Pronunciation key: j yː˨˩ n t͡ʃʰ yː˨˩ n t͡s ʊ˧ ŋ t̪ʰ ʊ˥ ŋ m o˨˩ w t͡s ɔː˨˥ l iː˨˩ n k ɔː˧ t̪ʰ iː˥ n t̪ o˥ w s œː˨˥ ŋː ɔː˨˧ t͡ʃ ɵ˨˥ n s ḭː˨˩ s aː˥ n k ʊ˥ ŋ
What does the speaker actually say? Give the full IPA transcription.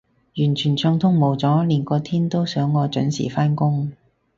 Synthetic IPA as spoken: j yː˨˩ n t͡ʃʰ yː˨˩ n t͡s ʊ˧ ŋ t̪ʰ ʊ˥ ŋ m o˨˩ w t͡s ɔː˨˥ l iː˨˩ n k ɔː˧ t̪ʰ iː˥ n t̪ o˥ w s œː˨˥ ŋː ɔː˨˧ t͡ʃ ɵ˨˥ n s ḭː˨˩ f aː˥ n k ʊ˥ ŋ

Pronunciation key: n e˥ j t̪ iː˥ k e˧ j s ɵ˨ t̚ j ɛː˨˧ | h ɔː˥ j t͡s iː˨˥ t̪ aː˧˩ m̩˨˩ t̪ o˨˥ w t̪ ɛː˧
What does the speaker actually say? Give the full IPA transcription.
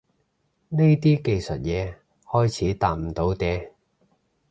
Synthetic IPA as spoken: n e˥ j t̪ iː˥ k e˧ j s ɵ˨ t̚ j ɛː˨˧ | h ɔː˥ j t͡sʰ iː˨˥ t̪ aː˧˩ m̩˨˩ t̪ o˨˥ w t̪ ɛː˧

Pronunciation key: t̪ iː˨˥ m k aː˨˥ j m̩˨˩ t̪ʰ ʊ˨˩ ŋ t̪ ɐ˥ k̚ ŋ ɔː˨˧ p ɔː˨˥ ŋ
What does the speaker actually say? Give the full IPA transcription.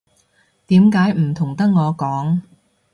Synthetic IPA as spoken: t̪ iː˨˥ m k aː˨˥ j m̩˨˩ t̪ʰ ʊ˨˩ ŋ t̪ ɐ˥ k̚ ŋ ɔː˨˧ k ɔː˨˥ ŋ

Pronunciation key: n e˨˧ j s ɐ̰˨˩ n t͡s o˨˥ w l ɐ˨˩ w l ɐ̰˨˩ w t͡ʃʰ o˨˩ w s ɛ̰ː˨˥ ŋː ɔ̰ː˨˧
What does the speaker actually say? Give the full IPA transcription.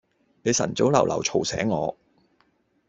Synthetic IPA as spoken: n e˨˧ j s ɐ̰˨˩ n t͡s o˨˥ w l ɐ˨˩ w l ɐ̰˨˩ w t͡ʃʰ o˨˩ w s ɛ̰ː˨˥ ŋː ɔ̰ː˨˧

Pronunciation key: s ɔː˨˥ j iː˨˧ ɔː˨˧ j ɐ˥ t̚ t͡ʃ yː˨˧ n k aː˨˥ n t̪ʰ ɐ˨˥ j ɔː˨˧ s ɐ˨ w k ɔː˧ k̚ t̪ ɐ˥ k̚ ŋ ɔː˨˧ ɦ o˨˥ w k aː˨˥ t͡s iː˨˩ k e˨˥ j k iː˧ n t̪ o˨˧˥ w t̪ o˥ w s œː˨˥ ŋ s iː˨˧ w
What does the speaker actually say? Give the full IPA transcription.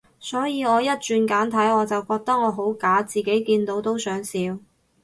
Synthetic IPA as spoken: s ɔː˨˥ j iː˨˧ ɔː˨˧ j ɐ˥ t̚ t͡ʃ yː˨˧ n k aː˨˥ n t̪ʰ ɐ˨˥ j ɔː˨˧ t͡s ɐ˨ w k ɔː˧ k̚ t̪ ɐ˥ k̚ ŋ ɔː˨˧ ɦ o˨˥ w k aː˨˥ t͡s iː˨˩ k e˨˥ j k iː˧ n t̪ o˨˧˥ w t̪ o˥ w s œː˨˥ ŋ s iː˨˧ w

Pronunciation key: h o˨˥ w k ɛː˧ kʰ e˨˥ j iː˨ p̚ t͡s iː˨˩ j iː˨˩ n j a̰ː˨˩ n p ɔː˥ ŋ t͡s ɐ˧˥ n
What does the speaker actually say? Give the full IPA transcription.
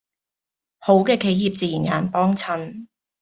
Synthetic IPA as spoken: h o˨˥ w k ɛː˧ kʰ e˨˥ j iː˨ p̚ t͡s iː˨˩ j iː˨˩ n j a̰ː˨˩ n p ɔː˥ ŋ t͡sʰ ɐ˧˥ n

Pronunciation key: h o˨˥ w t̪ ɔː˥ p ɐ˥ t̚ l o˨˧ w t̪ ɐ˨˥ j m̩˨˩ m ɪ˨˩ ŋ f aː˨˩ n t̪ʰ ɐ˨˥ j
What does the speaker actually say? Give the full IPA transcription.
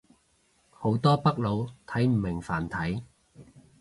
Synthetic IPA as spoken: h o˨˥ w t̪ ɔː˥ p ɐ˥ k̚ l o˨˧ w t̪ʰ ɐ˨˥ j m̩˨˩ m ɪ˨˩ ŋ f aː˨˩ n t̪ʰ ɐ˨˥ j

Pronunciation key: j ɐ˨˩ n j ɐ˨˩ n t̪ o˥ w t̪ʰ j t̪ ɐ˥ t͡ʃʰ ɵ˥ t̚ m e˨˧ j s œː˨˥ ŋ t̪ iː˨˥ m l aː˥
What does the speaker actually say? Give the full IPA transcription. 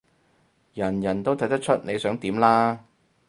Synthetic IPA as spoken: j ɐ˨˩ n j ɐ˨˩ n t̪ o˥ w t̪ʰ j t̪ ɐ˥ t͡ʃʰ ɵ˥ t̚ n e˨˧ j s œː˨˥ ŋ t̪ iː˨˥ m l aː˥

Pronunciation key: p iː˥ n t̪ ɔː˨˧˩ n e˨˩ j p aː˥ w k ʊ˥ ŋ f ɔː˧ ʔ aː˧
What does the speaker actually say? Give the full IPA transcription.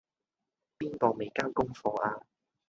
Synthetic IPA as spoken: p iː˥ n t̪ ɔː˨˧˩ m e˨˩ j k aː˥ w k ʊ˥ ŋ f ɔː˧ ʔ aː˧

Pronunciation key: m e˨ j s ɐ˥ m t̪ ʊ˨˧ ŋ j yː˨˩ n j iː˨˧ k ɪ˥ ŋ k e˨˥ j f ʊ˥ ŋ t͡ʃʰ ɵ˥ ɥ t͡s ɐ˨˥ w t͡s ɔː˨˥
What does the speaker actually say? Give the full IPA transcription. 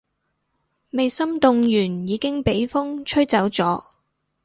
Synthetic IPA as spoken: m e˨ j s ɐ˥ m t̪ ʊ˨˧ ŋ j yː˨˩ n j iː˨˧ k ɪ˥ ŋ p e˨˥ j f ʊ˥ ŋ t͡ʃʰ ɵ˥ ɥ t͡s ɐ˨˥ w t͡s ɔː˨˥

